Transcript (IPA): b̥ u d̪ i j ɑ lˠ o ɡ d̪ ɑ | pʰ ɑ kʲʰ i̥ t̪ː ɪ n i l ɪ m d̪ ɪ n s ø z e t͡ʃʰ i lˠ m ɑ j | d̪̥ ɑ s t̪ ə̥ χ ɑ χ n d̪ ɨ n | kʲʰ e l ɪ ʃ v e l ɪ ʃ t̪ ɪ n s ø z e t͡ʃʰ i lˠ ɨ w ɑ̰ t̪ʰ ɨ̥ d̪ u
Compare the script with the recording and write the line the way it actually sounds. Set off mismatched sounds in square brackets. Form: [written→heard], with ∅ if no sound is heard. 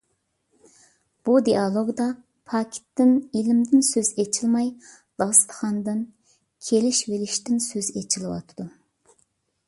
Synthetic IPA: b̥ u d̪ i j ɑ lˠ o ɡ d̪ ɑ | pʰ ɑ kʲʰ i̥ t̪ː ɪ n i l ɪ m d̪ ɪ n s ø z e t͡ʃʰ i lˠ m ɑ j | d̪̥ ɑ s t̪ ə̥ χ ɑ [χ→∅] n d̪ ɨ n | kʲʰ e l ɪ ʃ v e l ɪ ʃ t̪ ɪ n s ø z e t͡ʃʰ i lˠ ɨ w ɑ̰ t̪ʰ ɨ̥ d̪ u